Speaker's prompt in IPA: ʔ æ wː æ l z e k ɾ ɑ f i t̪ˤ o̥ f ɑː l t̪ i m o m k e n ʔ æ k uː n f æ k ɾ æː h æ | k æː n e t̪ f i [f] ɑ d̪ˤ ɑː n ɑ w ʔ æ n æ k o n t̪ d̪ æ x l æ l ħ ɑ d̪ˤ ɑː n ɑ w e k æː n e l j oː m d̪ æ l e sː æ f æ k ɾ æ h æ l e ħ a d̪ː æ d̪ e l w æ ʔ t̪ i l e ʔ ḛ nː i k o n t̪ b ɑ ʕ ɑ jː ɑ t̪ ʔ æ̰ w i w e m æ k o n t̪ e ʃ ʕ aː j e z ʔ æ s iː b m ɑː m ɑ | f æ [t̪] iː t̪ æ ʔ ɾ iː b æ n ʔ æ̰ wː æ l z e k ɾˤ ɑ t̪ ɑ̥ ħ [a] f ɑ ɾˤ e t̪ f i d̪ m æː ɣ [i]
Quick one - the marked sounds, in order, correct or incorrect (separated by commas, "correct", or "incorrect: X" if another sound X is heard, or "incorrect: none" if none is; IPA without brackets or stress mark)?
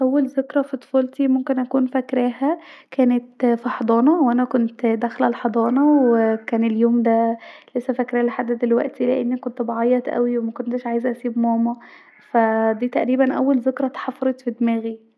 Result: incorrect: ħ, incorrect: d̪, incorrect: ɑ, correct